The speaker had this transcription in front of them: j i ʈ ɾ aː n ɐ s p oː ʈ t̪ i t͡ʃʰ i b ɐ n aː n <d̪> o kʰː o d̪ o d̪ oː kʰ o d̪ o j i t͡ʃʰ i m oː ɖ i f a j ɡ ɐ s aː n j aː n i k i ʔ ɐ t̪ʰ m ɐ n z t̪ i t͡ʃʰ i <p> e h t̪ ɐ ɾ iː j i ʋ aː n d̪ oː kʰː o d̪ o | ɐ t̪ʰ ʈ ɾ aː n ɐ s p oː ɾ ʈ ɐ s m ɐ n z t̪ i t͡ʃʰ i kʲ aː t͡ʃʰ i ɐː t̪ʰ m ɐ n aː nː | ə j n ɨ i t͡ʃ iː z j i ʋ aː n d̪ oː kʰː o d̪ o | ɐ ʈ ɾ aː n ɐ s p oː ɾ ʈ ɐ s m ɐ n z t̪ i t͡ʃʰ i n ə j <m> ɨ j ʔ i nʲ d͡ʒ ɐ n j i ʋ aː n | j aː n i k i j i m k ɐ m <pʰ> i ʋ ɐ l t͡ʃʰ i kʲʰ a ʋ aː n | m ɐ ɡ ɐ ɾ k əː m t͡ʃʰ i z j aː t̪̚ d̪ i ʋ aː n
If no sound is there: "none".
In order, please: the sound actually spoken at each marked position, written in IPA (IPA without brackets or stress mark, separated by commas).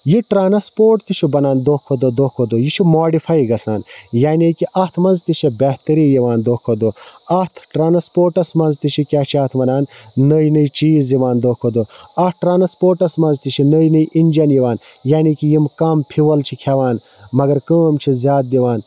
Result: d̪, b, n, pʰ